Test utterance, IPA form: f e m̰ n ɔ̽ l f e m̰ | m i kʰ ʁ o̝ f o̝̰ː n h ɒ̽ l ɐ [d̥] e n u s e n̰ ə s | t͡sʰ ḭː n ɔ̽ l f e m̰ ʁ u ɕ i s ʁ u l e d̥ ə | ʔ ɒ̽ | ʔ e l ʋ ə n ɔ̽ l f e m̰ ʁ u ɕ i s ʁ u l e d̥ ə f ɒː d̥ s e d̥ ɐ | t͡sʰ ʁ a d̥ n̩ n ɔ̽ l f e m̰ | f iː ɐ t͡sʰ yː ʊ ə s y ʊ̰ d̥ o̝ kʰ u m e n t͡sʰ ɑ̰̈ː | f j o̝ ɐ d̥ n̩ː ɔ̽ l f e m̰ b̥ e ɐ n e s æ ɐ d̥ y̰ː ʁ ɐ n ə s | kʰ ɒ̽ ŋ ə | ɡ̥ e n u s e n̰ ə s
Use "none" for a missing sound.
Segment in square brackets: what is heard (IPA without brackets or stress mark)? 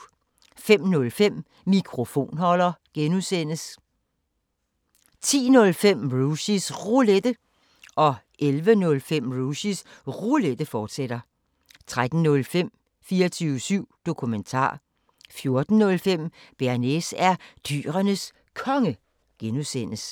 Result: ɡ̥